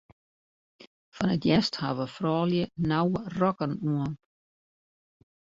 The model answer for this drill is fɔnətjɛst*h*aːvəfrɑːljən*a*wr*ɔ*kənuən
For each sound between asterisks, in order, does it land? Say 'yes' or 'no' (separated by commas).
yes, yes, yes